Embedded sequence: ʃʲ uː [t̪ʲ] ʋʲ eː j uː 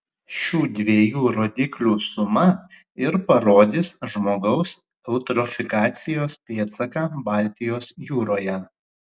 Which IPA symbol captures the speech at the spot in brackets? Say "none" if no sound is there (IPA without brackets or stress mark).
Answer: d̪ʲ